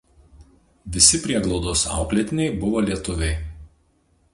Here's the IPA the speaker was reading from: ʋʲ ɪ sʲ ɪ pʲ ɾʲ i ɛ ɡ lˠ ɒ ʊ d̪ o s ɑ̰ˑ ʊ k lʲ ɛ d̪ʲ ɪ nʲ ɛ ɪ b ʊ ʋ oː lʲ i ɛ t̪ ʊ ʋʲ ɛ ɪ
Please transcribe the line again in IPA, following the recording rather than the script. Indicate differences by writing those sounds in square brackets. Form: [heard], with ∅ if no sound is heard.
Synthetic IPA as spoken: ʋʲ ɪ sʲ ɪ pʲ ɾʲ i ɛ ɡ lˠ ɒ ʊ d̪ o s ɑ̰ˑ ʊ k lʲ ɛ [t̪ʲ] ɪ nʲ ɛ ɪ b ʊ ʋ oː lʲ i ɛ t̪ ʊ ʋʲ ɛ ɪ